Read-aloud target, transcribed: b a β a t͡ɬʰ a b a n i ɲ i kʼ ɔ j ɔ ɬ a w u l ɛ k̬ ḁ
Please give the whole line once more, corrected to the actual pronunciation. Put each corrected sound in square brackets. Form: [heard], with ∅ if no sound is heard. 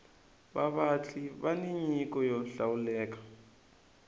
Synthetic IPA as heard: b a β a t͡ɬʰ [i] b a n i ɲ i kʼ ɔ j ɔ ɬ a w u l [ɛː] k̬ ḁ